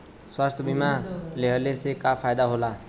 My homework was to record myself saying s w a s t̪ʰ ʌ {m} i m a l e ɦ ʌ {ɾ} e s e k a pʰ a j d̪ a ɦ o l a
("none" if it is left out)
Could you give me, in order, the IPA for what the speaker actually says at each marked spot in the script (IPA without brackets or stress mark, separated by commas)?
b, l